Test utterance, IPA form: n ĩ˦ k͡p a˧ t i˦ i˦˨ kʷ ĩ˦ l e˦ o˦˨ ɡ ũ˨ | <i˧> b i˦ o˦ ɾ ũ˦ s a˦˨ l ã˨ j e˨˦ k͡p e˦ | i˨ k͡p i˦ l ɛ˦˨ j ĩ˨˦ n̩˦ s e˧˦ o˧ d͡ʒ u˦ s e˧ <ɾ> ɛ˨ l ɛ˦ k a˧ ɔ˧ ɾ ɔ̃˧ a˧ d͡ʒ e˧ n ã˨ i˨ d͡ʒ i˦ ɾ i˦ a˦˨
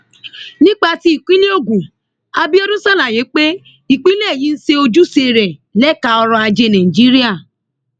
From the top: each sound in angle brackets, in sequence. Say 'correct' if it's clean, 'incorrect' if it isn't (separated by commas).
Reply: incorrect, correct